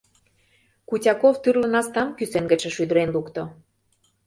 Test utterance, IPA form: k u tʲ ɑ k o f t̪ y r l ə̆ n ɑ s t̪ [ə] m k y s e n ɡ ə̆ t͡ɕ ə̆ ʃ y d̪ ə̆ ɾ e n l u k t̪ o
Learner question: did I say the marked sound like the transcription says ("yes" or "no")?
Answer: no